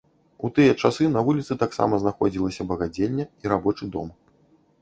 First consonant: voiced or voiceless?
voiceless